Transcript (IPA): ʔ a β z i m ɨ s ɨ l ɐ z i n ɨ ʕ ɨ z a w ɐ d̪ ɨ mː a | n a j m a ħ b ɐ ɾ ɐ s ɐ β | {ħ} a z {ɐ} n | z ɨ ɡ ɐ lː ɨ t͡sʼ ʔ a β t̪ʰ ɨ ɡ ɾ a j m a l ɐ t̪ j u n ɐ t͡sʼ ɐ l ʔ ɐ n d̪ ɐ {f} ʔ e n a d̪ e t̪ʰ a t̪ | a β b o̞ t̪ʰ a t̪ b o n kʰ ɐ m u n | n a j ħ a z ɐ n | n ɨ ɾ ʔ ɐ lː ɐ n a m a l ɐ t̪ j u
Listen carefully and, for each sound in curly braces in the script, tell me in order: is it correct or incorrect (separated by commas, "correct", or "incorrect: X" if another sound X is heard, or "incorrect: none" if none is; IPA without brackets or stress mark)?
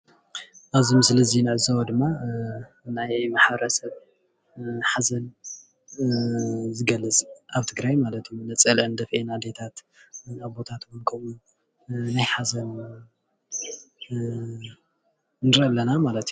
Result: correct, correct, correct